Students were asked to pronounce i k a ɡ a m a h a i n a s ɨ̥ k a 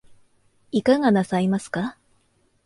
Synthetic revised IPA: i k a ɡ a n a s a i m a s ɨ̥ k a